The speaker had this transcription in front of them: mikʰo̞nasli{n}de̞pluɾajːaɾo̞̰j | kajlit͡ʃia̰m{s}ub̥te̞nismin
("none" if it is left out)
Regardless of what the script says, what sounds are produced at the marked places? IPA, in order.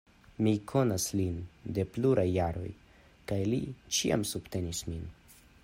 n, s

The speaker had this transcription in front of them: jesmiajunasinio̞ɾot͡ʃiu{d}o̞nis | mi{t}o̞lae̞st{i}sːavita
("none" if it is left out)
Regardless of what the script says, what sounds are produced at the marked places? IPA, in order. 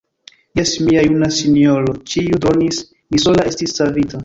d, s, i

